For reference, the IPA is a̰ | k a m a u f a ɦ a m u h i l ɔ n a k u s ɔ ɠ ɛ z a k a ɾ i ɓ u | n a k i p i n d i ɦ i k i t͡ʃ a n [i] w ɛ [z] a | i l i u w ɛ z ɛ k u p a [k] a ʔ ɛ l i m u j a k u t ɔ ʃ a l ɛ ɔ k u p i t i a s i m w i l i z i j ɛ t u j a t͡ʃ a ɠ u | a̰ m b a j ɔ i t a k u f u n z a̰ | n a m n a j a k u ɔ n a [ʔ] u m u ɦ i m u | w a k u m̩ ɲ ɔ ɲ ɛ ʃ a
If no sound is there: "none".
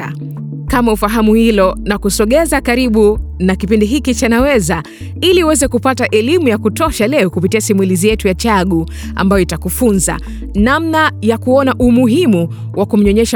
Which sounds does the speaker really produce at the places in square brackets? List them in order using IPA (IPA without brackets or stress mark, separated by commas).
a, z, t, ʔ